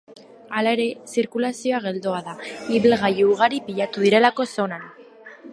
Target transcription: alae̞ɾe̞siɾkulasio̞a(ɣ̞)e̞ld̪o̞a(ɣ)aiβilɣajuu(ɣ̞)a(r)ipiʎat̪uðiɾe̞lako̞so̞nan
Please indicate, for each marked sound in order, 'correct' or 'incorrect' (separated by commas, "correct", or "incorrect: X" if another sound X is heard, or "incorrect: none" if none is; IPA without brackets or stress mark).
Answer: correct, incorrect: ð, correct, incorrect: ɾ